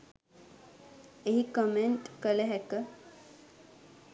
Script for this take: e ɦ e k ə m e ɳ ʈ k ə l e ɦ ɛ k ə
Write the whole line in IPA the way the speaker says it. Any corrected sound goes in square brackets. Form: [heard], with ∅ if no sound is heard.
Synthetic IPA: e ɦ [i] k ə m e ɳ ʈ k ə l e ɦ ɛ k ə